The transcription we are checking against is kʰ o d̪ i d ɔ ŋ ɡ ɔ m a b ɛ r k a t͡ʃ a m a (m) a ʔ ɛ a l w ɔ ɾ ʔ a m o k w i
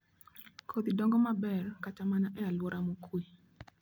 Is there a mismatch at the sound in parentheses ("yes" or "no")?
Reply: yes